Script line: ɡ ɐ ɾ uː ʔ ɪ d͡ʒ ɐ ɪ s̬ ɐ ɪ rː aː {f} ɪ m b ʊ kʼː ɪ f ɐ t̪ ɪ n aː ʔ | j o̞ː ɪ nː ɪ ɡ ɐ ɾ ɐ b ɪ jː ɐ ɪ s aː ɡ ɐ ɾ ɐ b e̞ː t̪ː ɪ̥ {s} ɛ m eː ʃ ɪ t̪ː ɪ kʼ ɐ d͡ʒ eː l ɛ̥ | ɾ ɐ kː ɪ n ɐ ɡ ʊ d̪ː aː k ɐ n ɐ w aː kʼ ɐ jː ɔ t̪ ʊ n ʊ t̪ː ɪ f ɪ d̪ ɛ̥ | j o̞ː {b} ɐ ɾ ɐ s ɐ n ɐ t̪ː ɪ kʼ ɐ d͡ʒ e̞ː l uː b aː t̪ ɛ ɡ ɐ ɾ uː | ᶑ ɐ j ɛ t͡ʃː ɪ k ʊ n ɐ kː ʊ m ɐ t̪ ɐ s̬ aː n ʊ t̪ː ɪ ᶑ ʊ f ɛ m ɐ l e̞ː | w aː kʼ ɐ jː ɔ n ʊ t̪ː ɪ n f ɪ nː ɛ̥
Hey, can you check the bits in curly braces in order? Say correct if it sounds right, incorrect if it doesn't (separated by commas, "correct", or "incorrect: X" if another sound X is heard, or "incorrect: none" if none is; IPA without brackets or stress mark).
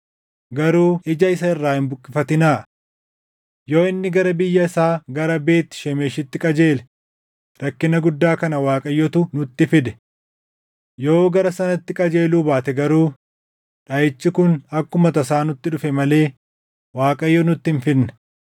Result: incorrect: h, incorrect: ʃ, incorrect: ɡ